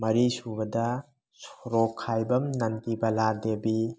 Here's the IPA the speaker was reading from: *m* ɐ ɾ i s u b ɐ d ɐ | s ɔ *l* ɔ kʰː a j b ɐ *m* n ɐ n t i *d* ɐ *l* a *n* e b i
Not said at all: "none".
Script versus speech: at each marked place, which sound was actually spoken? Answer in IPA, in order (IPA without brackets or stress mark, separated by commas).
m, ɾ, m, b, l, d